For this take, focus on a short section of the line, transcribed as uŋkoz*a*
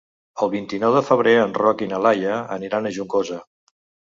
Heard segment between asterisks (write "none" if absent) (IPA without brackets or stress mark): ə